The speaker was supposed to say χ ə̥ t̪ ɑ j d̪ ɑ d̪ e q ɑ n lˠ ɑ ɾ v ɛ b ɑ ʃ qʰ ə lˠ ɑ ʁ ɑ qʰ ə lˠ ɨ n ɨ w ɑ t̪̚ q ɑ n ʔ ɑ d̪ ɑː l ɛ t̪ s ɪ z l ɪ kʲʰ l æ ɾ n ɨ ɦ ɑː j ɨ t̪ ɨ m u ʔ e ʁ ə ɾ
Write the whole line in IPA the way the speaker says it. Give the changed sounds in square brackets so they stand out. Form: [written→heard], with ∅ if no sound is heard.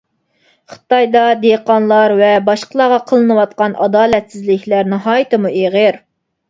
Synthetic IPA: χ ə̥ t̪ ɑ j d̪ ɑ d̪ e q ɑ n lˠ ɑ ɾ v ɛ b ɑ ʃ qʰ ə lˠ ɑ ʁ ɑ qʰ ə lˠ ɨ n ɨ w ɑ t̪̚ q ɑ n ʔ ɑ d̪ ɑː l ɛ t̪ s ɪ z l ɪ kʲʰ l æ ɾ n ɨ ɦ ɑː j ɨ t̪ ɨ m u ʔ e ʁ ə ɾ